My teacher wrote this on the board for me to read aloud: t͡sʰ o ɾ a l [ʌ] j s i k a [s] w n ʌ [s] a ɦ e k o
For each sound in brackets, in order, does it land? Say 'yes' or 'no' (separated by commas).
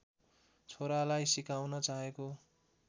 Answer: no, no, no